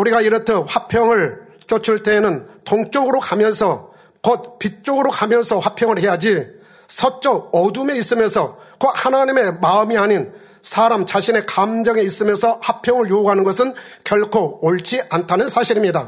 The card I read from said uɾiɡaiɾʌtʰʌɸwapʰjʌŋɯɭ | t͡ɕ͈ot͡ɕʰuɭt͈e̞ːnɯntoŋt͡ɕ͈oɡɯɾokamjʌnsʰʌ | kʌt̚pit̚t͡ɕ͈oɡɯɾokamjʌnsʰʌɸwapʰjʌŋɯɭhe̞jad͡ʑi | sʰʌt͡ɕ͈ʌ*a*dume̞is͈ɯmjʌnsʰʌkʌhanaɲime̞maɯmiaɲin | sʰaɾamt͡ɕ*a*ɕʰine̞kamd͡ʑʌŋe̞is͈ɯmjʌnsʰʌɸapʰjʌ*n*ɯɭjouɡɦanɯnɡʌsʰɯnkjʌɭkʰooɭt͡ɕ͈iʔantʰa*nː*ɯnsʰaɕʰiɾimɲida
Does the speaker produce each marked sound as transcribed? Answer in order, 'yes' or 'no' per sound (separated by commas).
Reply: no, yes, no, no